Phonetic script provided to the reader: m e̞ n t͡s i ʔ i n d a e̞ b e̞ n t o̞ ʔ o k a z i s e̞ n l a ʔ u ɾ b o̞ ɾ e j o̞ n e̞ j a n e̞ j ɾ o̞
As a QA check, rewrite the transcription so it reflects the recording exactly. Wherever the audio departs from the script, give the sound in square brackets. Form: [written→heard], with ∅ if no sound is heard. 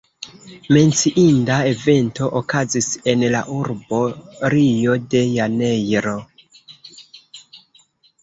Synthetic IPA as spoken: m e̞ n t͡s i ʔ i n d a e̞ [b→v] e̞ n t o̞ ʔ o k a z i s e̞ n l a ʔ u ɾ b o̞ ɾ [e→i] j o̞ [n→d] e̞ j a n e̞ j ɾ o̞